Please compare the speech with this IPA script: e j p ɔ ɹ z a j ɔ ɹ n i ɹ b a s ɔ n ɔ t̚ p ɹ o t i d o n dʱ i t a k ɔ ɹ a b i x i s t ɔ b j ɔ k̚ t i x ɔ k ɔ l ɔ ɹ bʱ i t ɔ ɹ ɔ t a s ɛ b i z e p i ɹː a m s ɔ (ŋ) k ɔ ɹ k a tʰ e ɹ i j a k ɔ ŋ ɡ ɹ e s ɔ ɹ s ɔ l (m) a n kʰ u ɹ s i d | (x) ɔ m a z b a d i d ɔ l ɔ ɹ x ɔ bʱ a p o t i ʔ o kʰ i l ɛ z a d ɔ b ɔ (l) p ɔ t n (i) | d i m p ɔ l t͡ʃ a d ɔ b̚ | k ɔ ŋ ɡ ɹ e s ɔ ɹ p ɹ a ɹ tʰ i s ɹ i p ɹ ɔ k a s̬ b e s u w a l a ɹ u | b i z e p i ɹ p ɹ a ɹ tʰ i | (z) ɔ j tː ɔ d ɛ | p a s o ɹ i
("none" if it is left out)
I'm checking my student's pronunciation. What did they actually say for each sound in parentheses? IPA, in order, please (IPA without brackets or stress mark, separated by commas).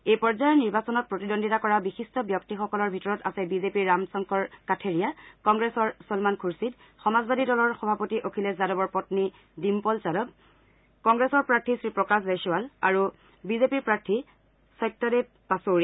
ŋ, m, x, ɹ, i, s